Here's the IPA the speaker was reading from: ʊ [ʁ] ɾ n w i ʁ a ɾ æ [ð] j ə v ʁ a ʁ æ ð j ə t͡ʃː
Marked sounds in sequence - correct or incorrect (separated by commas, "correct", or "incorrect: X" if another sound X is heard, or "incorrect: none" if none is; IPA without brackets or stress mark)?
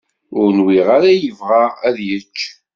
incorrect: none, incorrect: none